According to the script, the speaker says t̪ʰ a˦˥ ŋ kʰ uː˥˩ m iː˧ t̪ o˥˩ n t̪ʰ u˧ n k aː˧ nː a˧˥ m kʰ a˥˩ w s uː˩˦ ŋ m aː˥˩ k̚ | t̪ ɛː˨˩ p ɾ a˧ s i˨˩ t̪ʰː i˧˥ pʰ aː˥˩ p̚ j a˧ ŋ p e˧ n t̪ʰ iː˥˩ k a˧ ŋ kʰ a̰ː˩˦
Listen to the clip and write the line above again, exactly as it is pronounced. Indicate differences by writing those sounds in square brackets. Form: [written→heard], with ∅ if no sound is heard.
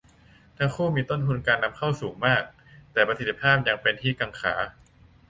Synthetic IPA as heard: t̪ʰ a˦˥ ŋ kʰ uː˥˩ m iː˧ t̪ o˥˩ n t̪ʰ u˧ n k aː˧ nː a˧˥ m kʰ a˥˩ w s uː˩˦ ŋ m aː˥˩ k̚ | t̪ ɛː˨˩ p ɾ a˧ s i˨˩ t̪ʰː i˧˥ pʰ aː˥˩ p̚ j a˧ ŋ p e˧ n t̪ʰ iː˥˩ k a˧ ŋ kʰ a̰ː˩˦

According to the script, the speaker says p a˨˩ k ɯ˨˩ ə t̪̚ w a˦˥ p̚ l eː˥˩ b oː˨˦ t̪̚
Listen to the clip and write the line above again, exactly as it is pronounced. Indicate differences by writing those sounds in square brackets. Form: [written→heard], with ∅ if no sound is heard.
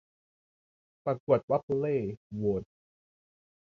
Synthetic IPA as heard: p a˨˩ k [ɯ˨˩→u˨˩] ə t̪̚ w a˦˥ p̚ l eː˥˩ [b→w] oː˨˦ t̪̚

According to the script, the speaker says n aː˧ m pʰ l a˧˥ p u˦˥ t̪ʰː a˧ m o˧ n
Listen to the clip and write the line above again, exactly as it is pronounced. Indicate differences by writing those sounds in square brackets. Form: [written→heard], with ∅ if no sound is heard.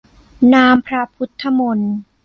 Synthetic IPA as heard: n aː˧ m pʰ [l→ɾ] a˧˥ [p→pʰ] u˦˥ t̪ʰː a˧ m o˧ n

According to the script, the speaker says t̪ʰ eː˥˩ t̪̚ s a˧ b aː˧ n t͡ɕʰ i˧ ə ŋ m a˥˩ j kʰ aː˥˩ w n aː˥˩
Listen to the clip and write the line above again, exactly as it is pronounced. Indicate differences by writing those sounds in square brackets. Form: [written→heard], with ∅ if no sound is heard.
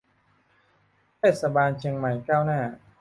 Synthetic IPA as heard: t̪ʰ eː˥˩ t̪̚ s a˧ b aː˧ n t͡ɕʰ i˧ ə ŋ m [a˥˩→a˨˩] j [kʰ→k] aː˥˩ w n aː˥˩

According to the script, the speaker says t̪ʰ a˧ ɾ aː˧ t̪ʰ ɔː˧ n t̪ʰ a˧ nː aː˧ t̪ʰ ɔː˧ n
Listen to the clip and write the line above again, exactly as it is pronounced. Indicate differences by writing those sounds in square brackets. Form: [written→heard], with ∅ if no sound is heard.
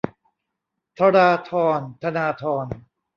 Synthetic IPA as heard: t̪ʰ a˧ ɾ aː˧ t̪ʰ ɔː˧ n t̪ʰ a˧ [nː→n] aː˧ t̪ʰ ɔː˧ n

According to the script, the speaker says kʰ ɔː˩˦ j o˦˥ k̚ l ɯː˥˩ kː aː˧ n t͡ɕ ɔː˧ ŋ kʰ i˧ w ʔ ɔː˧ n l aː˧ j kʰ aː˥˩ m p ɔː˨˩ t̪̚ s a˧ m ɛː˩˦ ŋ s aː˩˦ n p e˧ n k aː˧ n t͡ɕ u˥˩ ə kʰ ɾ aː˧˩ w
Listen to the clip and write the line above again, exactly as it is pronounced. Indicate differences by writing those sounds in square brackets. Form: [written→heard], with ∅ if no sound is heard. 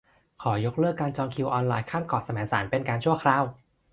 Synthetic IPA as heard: kʰ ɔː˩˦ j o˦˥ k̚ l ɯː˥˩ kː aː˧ n t͡ɕ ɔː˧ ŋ kʰ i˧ w ʔ ɔː˧ n l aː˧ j kʰ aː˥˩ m [p→k] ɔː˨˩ t̪̚ s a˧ m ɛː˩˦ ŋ s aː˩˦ n p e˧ n k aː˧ n [t͡ɕ→t͡ɕʰ] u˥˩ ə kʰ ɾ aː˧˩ w

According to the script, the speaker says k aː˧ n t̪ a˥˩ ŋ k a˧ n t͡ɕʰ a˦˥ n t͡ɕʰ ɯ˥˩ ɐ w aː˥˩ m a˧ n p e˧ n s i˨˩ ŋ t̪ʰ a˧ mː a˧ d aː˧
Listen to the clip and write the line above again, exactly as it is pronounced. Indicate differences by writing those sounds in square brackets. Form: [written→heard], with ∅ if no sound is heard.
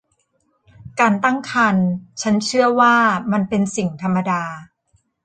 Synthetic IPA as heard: k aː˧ n t̪ a˥˩ ŋ [k→kʰ] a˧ n t͡ɕʰ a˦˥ n t͡ɕʰ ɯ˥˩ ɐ w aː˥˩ m a˧ n p e˧ n s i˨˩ ŋ t̪ʰ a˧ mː a˧ d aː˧

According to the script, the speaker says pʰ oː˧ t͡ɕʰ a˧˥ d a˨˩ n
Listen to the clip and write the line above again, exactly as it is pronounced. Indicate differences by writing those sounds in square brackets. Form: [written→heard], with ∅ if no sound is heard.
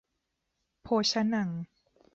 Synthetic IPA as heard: pʰ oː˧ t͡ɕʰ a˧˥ [d→n] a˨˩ [n→ŋ]

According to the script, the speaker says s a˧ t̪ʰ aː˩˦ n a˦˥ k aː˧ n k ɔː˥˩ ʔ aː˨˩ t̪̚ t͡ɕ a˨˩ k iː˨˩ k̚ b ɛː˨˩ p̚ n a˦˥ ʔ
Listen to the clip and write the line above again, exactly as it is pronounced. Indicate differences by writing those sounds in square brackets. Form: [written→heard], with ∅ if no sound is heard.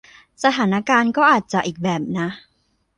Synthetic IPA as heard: s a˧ t̪ʰ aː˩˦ n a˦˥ k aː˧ n k ɔː˥˩ ʔ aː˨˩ t̪̚ t͡ɕ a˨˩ [k→ʔ] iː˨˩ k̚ b ɛː˨˩ p̚ n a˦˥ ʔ

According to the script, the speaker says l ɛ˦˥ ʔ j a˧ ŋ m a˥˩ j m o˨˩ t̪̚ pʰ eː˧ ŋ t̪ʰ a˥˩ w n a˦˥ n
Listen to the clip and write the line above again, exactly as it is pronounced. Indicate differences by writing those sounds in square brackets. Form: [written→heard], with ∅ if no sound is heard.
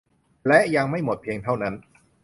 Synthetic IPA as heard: l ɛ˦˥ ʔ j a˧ ŋ m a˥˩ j m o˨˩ t̪̚ pʰ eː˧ ŋ t̪ʰ a˥˩ w n a˦˥ n

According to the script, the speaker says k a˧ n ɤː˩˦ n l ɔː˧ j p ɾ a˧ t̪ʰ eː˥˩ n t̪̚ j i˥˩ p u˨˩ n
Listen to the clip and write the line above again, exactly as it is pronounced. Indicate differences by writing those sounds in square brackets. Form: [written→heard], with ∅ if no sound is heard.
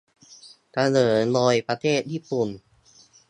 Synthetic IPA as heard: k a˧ n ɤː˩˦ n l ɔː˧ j p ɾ a˧ t̪ʰ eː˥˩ [n→∅] t̪̚ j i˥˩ p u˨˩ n

